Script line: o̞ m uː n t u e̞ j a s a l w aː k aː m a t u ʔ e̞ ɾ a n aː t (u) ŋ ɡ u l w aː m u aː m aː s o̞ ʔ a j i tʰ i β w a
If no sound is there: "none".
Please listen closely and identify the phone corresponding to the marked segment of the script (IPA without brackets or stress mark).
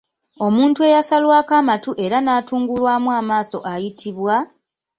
uː